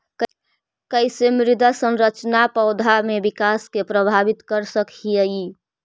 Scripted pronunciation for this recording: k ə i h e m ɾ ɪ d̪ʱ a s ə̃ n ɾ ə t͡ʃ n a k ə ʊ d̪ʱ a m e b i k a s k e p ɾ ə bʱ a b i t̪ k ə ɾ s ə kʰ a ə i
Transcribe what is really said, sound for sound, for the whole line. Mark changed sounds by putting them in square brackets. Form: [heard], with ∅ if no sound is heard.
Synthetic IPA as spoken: k ə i [s] e m ɾ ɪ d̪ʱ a s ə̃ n ɾ ə t͡ʃ n a [p] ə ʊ d̪ʱ a m e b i k a s k e p ɾ ə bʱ a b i t̪ k ə ɾ s ə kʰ [i] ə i